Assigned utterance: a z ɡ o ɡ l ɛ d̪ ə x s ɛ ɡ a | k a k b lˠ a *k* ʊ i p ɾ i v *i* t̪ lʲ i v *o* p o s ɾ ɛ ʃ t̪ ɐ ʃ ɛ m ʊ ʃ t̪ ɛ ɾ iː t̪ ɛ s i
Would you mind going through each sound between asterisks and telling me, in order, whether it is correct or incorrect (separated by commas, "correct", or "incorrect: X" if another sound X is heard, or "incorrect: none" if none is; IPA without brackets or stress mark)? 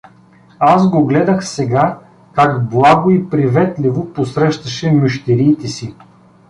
incorrect: ɡ, incorrect: ɛ, correct